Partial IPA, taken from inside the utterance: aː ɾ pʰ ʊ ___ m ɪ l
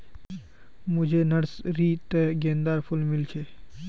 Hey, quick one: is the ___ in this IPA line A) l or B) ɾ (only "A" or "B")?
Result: A